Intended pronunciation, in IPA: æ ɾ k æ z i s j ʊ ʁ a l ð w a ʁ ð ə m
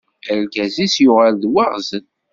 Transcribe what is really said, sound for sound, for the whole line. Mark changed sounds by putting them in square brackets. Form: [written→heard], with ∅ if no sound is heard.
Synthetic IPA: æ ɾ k æ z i s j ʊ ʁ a l ð w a ʁ [ð→z] ə [m→n]